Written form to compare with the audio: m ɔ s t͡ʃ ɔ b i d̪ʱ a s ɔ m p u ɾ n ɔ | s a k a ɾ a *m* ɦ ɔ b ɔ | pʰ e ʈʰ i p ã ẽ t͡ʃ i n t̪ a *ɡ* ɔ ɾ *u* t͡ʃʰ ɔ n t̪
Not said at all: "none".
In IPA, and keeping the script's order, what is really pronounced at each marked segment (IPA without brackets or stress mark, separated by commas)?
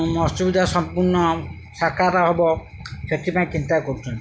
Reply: none, k, u